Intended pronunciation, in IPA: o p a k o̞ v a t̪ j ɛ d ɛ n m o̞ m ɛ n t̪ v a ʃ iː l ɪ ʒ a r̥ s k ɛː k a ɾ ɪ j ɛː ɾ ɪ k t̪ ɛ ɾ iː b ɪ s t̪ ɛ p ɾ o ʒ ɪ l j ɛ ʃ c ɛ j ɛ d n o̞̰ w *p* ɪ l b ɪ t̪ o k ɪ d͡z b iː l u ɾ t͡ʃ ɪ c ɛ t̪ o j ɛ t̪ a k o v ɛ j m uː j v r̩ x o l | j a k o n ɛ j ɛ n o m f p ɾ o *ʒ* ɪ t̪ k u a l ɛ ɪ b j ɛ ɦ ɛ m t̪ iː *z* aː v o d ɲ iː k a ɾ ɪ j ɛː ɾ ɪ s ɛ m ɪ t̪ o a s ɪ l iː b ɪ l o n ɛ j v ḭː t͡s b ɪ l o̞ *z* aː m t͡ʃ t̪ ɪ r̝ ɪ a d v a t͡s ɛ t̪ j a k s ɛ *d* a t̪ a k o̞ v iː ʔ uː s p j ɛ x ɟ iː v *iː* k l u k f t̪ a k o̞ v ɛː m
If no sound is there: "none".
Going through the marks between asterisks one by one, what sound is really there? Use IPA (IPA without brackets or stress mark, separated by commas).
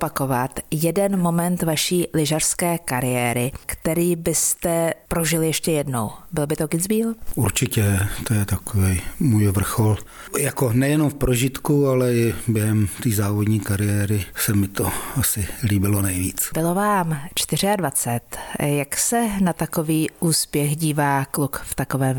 b, ʒ, z, v, n, aː